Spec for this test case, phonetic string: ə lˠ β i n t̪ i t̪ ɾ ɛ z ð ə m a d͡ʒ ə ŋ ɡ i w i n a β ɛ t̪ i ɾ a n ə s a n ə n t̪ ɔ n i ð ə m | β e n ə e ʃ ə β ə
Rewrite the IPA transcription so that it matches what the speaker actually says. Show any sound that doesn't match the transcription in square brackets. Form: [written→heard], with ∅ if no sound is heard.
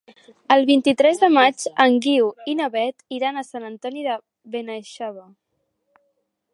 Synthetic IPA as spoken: ə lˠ β i n t̪ i t̪ ɾ ɛ z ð ə m a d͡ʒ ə ŋ ɡ i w i n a β ɛ t̪ i ɾ a n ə s a n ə n t̪ ɔ n i ð ə [m→∅] | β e n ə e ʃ [ə→a] β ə